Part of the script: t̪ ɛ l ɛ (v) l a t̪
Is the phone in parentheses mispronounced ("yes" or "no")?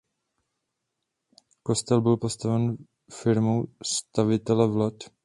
no